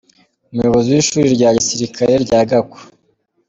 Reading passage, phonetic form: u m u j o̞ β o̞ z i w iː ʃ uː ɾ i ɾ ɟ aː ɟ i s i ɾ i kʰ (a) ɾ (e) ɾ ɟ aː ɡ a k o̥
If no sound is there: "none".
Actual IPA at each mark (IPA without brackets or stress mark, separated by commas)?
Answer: a, e